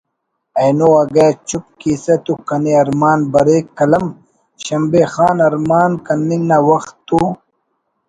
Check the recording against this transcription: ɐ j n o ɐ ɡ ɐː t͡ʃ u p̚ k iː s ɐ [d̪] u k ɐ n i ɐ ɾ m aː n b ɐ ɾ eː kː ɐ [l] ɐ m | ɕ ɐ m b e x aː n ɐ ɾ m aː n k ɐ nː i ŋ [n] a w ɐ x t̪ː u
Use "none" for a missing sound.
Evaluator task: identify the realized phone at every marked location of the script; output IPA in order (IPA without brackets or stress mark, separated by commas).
t̪, l, n